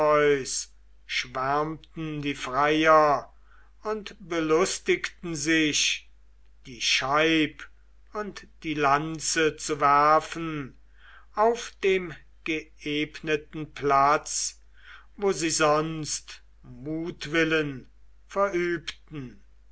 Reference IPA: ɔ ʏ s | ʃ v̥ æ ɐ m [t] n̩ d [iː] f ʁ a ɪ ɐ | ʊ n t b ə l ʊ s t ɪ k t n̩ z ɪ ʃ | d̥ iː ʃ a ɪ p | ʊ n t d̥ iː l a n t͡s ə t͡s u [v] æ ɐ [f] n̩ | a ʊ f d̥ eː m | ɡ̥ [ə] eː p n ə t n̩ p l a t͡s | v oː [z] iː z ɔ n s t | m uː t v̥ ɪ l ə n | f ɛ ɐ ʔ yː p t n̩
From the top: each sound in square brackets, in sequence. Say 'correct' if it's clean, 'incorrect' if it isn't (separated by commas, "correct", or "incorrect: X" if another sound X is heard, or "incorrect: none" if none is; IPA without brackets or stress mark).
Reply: correct, correct, correct, correct, correct, correct